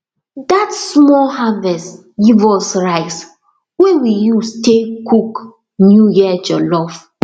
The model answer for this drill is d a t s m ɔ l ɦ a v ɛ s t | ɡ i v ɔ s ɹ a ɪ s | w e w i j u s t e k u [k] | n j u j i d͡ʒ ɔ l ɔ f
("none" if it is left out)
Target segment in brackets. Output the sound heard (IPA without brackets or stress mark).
k